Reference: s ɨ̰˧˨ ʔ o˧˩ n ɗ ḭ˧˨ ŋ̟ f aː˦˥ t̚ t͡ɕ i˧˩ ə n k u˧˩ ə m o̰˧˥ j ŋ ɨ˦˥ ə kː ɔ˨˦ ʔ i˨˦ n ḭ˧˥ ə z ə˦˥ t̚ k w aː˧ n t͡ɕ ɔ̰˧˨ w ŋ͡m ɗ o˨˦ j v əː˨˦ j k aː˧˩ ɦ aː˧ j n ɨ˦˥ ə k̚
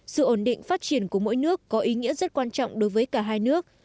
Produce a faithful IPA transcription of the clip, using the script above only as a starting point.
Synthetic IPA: s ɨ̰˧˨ ʔ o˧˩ n ɗ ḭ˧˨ ŋ̟ f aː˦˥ t̚ t͡ɕ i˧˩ ə n k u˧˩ ə m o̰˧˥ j n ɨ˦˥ ə kː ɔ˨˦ ʔ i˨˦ ŋ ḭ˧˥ ə z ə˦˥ t̚ k w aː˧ n t͡ɕ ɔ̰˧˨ w ŋ͡m ɗ o˨˦ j v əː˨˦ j k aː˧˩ ɦ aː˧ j n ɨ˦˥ ə k̚